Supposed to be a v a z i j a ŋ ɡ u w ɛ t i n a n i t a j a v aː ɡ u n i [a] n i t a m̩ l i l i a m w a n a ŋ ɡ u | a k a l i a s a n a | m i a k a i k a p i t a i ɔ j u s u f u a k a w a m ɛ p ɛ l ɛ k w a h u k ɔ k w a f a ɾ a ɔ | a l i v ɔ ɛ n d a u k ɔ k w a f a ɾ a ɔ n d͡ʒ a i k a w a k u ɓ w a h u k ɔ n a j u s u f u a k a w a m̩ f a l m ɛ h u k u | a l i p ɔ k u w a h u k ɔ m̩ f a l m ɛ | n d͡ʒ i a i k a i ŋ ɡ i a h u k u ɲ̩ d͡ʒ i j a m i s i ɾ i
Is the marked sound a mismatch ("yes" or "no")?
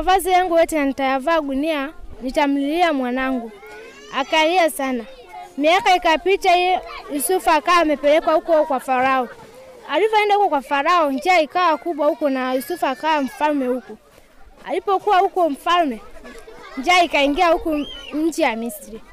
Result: no